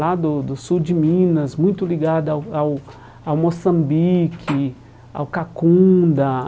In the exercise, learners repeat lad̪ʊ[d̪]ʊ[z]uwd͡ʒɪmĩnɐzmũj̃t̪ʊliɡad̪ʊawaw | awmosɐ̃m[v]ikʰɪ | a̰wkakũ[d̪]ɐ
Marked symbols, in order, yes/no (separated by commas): yes, no, no, yes